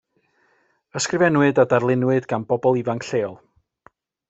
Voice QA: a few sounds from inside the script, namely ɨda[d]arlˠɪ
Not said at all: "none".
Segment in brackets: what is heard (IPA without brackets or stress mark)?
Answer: d